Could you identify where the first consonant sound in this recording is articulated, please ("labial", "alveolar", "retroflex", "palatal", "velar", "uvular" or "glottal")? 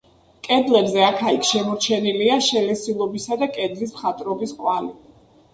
velar